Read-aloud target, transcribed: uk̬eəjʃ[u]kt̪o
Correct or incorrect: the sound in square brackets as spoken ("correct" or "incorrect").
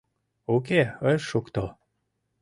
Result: correct